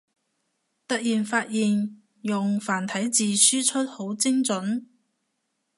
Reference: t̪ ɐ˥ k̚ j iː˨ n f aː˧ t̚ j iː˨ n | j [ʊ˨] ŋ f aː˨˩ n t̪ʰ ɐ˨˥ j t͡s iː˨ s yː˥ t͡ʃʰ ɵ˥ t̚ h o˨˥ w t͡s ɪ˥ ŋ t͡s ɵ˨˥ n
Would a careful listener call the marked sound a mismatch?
no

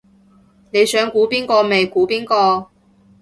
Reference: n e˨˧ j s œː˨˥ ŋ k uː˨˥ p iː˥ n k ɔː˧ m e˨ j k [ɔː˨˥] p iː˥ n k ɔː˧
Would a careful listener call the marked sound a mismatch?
yes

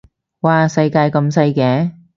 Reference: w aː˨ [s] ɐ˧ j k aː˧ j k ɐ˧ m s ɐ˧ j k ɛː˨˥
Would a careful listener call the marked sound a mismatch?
no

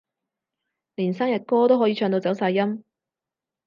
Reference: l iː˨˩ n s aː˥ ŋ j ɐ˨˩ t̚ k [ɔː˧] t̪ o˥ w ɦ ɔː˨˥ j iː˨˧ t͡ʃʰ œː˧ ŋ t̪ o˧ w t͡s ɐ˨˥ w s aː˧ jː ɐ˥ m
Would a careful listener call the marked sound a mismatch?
yes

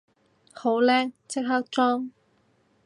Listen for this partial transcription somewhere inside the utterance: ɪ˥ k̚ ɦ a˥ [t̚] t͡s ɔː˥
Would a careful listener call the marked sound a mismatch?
yes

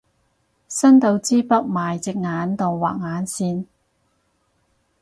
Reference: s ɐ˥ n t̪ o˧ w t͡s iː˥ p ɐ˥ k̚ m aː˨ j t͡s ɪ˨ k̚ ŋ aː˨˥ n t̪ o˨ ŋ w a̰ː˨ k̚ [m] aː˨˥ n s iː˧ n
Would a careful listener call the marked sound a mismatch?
yes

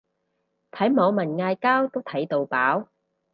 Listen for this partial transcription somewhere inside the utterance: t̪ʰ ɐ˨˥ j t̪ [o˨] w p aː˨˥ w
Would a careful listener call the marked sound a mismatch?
no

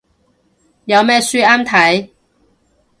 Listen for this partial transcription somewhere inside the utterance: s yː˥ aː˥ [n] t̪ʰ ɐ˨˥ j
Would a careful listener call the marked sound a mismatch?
yes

